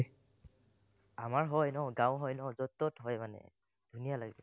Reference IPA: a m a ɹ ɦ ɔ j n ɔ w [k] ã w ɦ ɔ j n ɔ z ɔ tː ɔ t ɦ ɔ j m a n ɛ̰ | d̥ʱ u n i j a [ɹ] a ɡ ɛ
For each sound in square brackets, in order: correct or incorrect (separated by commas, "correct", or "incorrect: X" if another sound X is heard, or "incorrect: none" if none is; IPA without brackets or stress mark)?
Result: incorrect: ɡ, incorrect: l